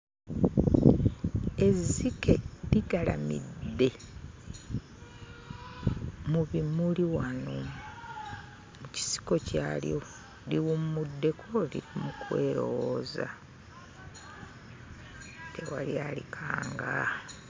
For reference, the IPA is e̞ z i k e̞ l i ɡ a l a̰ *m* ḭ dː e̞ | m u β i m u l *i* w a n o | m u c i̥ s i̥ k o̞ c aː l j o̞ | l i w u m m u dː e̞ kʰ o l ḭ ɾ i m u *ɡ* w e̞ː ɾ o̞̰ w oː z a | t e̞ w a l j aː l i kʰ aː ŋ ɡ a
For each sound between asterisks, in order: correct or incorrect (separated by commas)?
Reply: correct, correct, incorrect